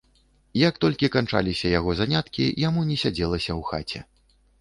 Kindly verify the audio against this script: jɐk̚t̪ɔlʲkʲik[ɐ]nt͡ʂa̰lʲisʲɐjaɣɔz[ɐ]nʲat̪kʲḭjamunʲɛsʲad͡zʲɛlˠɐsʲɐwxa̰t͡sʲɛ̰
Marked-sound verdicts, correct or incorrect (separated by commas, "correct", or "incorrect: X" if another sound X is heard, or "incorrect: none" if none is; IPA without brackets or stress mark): incorrect: a, incorrect: a